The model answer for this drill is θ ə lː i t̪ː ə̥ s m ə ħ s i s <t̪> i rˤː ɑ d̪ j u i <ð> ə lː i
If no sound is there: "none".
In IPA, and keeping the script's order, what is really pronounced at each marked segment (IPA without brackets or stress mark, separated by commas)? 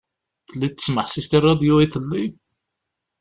t̪, θ